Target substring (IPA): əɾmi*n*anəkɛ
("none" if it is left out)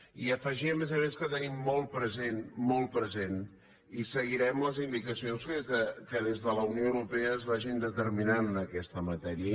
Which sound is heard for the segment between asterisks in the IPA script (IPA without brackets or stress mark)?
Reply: n